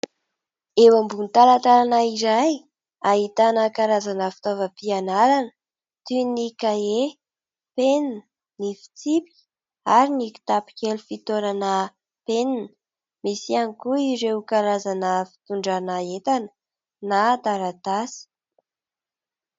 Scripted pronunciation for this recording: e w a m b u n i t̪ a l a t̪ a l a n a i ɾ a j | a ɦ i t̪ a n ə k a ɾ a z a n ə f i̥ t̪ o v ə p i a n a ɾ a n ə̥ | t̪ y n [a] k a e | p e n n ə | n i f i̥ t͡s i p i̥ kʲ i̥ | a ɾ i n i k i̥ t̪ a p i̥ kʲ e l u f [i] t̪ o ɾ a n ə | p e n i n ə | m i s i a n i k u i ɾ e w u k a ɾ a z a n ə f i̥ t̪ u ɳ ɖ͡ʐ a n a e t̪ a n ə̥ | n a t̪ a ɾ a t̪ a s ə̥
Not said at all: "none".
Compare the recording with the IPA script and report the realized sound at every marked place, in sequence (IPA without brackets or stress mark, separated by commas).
i, i